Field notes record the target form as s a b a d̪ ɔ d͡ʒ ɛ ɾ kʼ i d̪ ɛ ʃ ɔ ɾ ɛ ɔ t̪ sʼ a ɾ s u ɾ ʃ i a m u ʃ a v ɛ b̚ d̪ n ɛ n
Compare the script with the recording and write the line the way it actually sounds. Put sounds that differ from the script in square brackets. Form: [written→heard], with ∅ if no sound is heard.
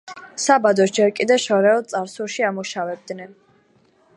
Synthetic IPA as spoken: s a b a d̪ ɔ d͡ʒ ɛ ɾ kʼ i d̪ ɛ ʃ ɔ ɾ ɛ ɔ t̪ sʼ a ɾ s u ɾ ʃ i a m u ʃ a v ɛ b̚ d̪ n ɛ n